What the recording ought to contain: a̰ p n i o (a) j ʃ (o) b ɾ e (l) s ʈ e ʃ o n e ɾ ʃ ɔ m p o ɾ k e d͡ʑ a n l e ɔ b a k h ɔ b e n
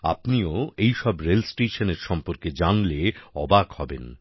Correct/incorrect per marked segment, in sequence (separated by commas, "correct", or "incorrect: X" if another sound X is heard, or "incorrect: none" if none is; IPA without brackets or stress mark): incorrect: e, incorrect: ɔ, correct